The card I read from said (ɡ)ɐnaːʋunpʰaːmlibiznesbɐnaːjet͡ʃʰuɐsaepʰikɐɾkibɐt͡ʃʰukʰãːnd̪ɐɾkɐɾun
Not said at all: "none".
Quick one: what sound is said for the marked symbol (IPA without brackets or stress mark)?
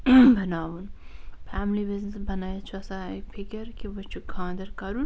b